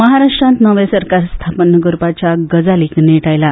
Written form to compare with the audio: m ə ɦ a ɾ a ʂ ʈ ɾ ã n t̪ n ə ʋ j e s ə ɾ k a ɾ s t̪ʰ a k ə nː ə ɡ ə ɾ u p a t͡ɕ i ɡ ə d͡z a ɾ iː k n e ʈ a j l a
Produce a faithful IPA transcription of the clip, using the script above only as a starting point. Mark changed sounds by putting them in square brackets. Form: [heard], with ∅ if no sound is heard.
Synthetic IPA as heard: m ə ɦ a ɾ a ʂ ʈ ɾ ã n t̪ n ə ʋ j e s ə ɾ k a ɾ s t̪ʰ a [p] ə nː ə ɡ ə ɾ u p a t͡ɕ [a] ɡ ə d͡z a [l] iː k n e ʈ a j l a